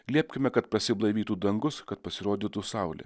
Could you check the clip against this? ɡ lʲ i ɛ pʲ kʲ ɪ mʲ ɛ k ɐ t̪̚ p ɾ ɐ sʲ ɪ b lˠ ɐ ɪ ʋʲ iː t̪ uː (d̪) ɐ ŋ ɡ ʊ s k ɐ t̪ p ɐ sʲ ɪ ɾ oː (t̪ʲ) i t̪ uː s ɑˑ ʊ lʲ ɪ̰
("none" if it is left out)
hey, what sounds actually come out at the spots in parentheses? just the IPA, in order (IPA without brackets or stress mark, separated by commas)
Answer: d̪, d̪ʲ